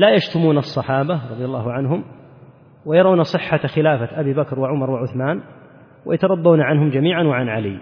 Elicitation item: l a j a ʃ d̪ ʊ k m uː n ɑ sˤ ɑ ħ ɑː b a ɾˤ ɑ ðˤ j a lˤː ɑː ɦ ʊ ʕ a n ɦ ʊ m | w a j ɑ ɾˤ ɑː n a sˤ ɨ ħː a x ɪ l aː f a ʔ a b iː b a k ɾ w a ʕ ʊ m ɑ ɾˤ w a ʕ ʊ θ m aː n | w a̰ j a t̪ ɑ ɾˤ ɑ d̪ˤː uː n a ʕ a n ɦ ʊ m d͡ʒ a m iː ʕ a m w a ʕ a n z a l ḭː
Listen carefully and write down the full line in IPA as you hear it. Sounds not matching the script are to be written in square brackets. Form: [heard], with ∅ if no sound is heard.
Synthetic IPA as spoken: l a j a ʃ [t̪] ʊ [∅] m uː n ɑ [sˤː] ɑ ħ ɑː b a ɾˤ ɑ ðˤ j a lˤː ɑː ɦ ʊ ʕ a n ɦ ʊ m | w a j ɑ ɾˤ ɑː n a sˤ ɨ ħː a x ɪ l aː f a ʔ a b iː b a k ɾ w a ʕ ʊ m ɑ ɾˤ w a ʕ ʊ θ m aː n | w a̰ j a t̪ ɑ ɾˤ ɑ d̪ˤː uː n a ʕ a n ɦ ʊ m d͡ʒ a m iː ʕ a [n] w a ʕ a n [ʕ] a l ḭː